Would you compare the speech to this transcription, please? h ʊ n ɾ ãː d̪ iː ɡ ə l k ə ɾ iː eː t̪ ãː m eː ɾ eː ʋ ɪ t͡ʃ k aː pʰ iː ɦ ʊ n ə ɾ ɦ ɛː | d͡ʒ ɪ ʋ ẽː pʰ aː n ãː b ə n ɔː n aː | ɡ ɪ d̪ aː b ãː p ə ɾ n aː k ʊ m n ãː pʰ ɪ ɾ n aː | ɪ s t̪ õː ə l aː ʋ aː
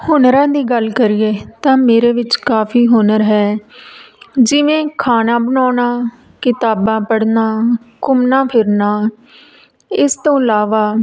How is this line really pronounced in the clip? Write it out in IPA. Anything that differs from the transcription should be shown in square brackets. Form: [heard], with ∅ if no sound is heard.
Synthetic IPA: h ʊ n ɾ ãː d̪ iː ɡ ə l k ə ɾ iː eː t̪ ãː m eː ɾ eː ʋ ɪ t͡ʃ k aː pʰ iː ɦ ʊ n ə ɾ ɦ ɛː | d͡ʒ ɪ ʋ ẽː [kʰ] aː n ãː b ə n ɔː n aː | [k] ɪ [t̪] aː b ãː p ə [ɽ] n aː k ʊ m n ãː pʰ ɪ ɾ n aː | ɪ s t̪ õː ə l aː ʋ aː

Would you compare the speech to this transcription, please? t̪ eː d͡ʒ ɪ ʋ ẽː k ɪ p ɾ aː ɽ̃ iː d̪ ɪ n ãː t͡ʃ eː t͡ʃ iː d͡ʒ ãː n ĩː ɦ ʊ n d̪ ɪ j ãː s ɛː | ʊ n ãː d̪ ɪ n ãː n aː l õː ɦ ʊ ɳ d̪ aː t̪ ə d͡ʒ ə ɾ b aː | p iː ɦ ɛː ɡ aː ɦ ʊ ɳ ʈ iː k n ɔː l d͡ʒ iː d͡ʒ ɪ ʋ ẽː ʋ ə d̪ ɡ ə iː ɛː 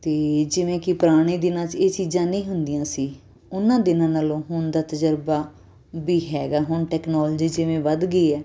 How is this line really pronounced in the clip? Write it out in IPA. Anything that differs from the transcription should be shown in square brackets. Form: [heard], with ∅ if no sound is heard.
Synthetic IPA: t̪ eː d͡ʒ ɪ ʋ ẽː k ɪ p ɾ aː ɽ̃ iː d̪ ɪ n ãː t͡ʃ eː t͡ʃ iː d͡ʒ ãː n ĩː ɦ ʊ n d̪ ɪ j ãː s [iː] | ʊ n ãː d̪ ɪ n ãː n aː l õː ɦ ʊ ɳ d̪ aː t̪ ə d͡ʒ ə ɾ b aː | [b] iː ɦ ɛː ɡ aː ɦ ʊ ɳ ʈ [ɛː] k n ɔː l d͡ʒ iː d͡ʒ ɪ ʋ ẽː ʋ ə d̪ ɡ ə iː ɛː

